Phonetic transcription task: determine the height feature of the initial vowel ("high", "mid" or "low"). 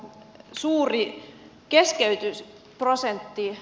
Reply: high